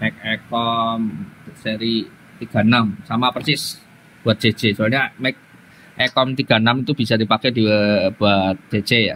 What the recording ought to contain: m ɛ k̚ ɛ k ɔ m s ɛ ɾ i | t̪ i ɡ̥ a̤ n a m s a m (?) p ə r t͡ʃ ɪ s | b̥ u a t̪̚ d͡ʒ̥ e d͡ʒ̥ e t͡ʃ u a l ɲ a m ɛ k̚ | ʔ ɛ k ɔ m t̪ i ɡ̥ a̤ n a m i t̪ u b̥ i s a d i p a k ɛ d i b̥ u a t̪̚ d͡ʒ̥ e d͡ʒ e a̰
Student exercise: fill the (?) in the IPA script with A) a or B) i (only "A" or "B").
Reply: A